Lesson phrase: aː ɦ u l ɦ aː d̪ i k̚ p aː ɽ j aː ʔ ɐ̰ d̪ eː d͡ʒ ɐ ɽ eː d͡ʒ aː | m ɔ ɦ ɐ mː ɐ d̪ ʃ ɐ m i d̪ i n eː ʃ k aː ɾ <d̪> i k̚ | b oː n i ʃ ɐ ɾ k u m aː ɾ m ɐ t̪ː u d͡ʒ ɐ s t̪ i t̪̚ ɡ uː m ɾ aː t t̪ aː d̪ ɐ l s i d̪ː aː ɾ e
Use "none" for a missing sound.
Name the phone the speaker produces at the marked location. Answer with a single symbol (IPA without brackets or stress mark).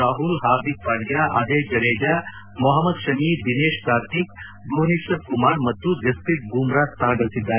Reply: t̪